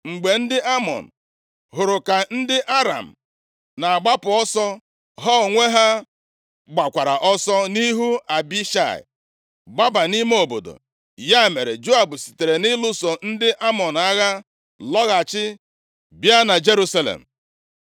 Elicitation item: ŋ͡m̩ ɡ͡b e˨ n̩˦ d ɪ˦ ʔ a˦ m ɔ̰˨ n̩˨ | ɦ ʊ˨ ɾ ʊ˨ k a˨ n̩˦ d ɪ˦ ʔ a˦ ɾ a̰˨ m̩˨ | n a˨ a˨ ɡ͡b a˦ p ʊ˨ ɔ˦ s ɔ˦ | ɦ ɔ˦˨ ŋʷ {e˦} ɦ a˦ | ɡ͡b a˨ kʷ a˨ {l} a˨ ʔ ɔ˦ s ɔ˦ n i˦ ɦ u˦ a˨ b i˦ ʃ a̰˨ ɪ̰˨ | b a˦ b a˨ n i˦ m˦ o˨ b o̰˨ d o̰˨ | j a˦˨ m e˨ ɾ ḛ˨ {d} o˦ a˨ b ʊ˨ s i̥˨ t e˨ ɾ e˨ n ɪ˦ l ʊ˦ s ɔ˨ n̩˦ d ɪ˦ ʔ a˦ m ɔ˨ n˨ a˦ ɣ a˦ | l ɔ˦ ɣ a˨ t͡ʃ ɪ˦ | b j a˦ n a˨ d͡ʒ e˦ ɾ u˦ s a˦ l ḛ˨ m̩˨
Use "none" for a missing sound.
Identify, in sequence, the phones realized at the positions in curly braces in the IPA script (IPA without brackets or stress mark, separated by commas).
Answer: e˦, ɾ, d͡ʒ